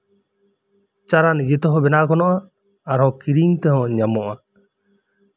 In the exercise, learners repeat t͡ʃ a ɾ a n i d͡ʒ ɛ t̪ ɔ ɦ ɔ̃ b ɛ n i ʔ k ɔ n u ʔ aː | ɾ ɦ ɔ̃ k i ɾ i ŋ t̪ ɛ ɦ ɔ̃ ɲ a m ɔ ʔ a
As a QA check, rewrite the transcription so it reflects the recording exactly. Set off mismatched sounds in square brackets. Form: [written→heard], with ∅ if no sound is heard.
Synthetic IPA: t͡ʃ a ɾ a n i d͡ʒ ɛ t̪ ɔ ɦ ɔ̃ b ɛ n [i→a] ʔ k ɔ n [u→ɔ] ʔ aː | ɾ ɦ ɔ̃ k i ɾ i ŋ t̪ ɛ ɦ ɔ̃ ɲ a m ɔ ʔ a